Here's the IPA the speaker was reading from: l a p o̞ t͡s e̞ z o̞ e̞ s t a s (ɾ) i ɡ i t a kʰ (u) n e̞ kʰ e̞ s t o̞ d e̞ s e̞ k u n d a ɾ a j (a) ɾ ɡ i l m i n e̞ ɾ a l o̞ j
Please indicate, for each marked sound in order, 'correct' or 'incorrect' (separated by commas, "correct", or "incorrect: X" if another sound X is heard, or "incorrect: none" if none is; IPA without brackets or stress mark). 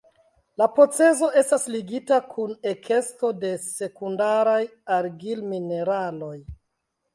incorrect: l, correct, correct